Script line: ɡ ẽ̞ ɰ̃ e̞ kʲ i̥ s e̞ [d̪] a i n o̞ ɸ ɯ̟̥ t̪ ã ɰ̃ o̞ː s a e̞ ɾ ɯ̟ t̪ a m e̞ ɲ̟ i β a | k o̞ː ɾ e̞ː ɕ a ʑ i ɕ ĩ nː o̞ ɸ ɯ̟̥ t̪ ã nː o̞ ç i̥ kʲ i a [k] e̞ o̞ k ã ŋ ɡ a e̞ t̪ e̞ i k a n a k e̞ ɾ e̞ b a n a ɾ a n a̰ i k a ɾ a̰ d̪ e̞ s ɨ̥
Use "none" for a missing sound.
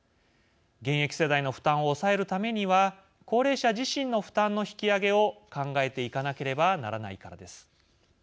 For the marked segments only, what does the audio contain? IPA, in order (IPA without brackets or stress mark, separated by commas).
d̪, ɡ